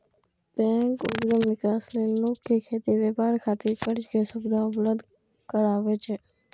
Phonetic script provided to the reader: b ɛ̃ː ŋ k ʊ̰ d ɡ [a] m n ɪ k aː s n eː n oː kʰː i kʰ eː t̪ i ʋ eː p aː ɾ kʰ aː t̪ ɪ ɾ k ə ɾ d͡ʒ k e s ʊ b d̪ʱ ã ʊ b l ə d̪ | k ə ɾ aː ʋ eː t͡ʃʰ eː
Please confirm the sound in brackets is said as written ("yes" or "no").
no